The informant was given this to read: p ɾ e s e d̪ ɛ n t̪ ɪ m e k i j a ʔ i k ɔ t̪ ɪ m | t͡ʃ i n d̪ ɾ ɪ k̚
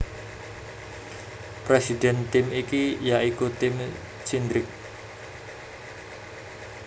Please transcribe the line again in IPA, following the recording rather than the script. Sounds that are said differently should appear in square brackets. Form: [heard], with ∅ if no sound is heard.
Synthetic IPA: p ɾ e s [i] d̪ ɛ n t̪ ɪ m [i] k i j a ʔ i k [u] t̪ ɪ m | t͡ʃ i n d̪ ɾ ɪ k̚